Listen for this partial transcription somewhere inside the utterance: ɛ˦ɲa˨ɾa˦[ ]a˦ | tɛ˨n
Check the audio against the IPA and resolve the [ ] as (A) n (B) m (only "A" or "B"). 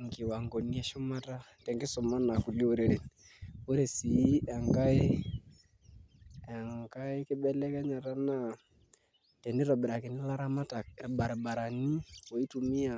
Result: A